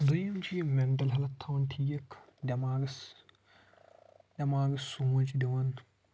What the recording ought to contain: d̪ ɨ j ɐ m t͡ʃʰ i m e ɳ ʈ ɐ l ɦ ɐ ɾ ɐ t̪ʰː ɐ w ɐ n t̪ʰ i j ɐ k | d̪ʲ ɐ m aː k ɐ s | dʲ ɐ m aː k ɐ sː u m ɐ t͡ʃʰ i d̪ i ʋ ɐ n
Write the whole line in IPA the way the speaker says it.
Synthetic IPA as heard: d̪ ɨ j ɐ m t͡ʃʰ i m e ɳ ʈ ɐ l ɦ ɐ l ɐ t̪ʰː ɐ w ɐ n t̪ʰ i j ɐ k | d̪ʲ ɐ m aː ɡ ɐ s | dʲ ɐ m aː ɡ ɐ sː u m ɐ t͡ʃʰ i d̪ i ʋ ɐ n